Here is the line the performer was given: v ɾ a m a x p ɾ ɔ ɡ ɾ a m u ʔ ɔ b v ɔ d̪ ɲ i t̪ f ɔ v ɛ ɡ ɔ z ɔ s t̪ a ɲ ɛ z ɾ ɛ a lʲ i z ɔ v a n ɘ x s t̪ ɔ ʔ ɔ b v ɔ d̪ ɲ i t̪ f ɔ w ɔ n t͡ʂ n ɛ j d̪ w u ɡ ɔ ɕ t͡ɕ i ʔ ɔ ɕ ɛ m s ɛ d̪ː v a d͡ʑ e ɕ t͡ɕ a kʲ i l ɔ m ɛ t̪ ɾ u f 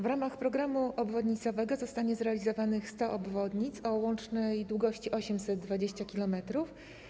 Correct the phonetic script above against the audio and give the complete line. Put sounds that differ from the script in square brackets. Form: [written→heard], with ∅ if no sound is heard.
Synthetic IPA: v ɾ a m a x p ɾ ɔ ɡ ɾ a m u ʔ ɔ b v ɔ d̪ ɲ i t̪ [f→s] ɔ v ɛ ɡ ɔ z ɔ s t̪ a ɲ ɛ z ɾ ɛ a lʲ i z ɔ v a n ɘ x s t̪ ɔ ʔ ɔ b v ɔ d̪ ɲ i t̪ [f→s] ɔ w ɔ n t͡ʂ n ɛ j d̪ w u ɡ ɔ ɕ t͡ɕ i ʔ ɔ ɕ ɛ m s ɛ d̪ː v a d͡ʑ e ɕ t͡ɕ a kʲ i l ɔ m ɛ t̪ ɾ u f